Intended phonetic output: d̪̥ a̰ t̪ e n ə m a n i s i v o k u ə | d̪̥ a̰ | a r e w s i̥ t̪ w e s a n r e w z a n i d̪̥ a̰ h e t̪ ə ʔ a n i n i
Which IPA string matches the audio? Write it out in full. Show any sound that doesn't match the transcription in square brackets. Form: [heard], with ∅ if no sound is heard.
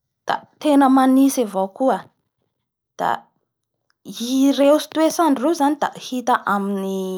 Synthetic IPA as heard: d̪̥ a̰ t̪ e n ə m a n i s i v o k u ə | d̪̥ a̰ | [i] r e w s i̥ t̪ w e s a n r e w z a n i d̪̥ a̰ h [i] t̪ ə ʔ a [m] i n i

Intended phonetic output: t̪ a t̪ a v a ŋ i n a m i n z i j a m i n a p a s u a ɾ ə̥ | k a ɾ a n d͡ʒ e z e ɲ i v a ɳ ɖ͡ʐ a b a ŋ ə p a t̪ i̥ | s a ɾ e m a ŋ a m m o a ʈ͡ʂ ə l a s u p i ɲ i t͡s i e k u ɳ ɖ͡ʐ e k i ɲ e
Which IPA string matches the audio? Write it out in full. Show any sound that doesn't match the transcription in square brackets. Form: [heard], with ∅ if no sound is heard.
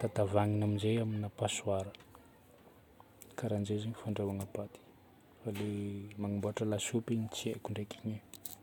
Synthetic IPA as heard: t̪ a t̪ a v a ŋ i n a m i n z [e] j a m i n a p a s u a ɾ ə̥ | k a ɾ a n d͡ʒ e z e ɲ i [f] a ɳ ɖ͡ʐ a [w] a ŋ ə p a t̪ i̥ | [f] a [l] e m a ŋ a m [b] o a ʈ͡ʂ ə l a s u p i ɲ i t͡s i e k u ɳ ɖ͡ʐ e k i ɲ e

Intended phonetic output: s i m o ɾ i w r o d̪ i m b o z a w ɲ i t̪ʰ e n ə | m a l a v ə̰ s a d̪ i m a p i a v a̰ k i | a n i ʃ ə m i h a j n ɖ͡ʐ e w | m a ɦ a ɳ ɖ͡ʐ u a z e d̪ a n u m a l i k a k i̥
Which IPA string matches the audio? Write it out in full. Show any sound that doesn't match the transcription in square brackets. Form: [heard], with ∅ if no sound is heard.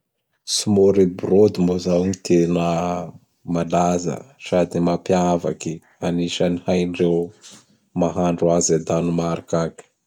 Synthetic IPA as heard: s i m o ɾ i [b] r o d̪ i m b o z a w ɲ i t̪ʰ e n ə | m a l a [z] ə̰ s a d̪ i m a p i a v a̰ k i | a n i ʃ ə [n] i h a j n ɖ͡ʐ e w | m a ɦ a ɳ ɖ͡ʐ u a z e d̪ a n u m a [ɾ] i k a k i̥

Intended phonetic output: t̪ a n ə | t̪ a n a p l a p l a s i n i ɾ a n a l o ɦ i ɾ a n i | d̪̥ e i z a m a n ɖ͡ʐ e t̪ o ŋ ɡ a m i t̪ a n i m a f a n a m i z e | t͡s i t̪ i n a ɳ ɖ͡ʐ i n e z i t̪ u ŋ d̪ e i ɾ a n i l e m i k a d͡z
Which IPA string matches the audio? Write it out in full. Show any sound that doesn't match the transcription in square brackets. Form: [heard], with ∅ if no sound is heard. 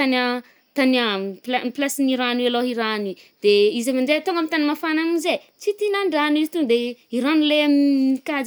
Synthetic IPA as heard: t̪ a n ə | t̪ a n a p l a p l a s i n i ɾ a n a l o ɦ i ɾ a n i | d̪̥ e i z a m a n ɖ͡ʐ e t̪ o ŋ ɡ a m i t̪ a n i m a f a n a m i z e | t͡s i t̪ i n a ɳ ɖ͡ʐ [a] n [i] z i t̪ u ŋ d̪ e i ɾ a n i l e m i k a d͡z

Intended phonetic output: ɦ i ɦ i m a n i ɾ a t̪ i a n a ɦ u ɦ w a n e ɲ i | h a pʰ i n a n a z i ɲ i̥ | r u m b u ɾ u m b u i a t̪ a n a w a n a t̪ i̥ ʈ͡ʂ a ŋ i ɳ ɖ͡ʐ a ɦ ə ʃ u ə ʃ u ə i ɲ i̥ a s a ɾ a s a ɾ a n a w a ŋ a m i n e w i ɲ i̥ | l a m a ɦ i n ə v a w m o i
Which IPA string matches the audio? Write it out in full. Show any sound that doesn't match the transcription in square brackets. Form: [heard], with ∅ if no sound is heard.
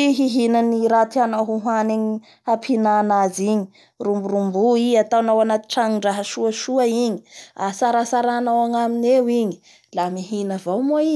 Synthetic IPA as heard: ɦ i ɦ i [n] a n i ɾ a t̪ i a n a ɦ u ɦ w a n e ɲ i | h a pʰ i n a n a z i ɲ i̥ | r u m b u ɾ u m b u i a t̪ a n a w a n a t̪ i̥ ʈ͡ʂ a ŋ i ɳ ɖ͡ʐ a ɦ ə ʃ u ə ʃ u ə i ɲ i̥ a s a ɾ a s a ɾ a n a w a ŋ a m i n e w i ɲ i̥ | l a m [i] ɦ i n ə v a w m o i

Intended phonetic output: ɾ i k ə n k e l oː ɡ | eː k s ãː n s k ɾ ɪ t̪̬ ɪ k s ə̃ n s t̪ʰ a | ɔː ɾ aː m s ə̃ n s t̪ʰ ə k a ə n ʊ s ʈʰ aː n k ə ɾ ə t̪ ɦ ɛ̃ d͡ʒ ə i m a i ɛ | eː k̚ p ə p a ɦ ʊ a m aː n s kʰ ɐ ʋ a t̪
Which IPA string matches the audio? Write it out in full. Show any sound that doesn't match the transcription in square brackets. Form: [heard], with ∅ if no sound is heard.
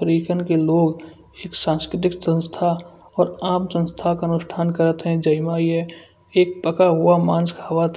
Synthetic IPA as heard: ɾ i k ə n k e l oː ɡ | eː k s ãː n s k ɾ ɪ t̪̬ ɪ k s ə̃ n s t̪ʰ a | ɔː ɾ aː m s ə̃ n s t̪ʰ [a] k a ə n ʊ s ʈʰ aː n k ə ɾ ə t̪ ɦ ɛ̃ d͡ʒ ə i m a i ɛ | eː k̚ p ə [k] a ɦ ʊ a m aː n s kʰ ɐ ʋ a t̪

